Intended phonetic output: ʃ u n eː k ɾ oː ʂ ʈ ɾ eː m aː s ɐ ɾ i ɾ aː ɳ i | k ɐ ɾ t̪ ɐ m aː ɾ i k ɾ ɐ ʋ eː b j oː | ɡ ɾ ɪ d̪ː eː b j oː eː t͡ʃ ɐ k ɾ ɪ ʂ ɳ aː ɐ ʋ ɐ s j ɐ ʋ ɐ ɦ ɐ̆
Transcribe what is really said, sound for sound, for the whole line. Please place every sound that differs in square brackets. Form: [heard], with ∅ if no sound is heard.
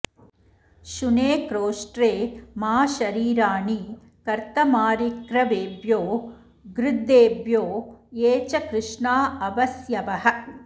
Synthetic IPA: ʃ u n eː k ɾ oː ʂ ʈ ɾ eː m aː [ʃ] ɐ ɾ [iː] ɾ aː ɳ i | k ɐ ɾ t̪ ɐ m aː ɾ i k ɾ ɐ ʋ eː b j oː | ɡ ɾ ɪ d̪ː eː b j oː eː t͡ʃ ɐ k ɾ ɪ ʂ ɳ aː ɐ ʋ ɐ s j ɐ ʋ ɐ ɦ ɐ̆